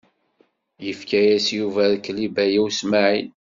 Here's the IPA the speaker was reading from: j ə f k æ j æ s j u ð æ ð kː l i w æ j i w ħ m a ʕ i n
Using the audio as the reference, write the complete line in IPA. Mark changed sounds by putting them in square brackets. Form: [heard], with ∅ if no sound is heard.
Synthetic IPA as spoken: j ə f k æ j æ s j u [v] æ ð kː l i [b] æ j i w [s] m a ʕ i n